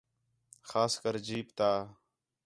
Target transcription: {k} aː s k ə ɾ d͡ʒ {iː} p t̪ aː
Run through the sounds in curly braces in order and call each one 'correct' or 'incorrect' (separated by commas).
incorrect, correct